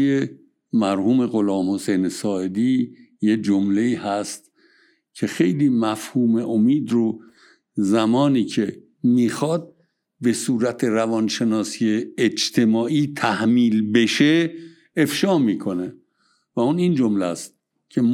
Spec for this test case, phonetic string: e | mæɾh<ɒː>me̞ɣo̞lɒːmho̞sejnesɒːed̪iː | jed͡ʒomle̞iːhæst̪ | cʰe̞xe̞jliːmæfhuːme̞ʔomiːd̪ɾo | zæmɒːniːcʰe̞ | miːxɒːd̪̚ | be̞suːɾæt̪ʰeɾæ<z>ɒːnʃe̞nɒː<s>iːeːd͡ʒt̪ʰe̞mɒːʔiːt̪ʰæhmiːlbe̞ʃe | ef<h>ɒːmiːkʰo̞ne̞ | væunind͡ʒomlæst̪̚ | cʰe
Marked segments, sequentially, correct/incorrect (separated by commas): incorrect, incorrect, correct, incorrect